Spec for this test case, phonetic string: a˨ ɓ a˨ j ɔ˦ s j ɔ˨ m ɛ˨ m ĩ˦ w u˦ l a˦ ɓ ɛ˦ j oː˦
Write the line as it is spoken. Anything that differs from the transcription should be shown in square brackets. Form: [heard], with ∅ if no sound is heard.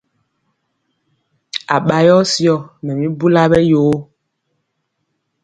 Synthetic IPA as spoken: a˨ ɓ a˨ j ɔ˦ s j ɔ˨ m ɛ˨ m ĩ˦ [b] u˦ l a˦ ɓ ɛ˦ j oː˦

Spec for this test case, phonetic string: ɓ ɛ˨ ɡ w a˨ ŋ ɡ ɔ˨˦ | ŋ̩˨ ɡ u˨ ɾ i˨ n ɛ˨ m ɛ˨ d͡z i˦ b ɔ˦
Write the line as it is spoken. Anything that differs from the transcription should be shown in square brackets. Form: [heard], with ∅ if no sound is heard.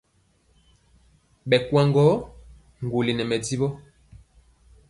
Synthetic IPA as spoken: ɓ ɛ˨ [k] w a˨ ŋ ɡ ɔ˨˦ | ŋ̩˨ ɡ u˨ [l] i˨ n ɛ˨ m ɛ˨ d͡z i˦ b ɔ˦

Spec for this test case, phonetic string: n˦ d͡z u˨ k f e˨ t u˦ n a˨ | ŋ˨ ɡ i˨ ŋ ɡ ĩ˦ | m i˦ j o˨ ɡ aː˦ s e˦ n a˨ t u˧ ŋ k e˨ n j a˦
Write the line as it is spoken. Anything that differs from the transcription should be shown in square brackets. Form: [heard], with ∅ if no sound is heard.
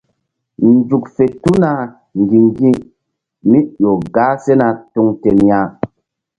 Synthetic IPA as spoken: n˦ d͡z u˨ k f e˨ t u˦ n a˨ | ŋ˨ ɡ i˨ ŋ ɡ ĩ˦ | m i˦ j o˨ ɡ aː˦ s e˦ n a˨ t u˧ ŋ [t] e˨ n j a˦

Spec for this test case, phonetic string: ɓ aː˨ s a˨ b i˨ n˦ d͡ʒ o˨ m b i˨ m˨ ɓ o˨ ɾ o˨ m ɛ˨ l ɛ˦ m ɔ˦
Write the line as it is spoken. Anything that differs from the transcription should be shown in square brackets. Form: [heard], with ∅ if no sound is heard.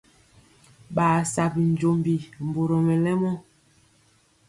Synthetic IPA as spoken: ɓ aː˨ s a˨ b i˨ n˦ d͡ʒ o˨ m b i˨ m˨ [b] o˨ ɾ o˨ m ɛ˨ l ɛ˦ m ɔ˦

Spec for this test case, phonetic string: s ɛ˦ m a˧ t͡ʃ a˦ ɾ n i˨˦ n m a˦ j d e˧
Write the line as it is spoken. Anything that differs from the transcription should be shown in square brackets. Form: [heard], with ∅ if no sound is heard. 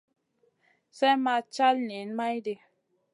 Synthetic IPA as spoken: s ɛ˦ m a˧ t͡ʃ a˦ [l] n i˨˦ n m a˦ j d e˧

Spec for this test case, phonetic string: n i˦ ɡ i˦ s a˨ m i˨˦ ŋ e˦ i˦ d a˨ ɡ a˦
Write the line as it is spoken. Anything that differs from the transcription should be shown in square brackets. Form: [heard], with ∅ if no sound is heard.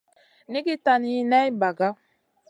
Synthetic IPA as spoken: n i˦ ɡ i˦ [t] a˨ [n] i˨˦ [n] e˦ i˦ [b] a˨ ɡ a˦

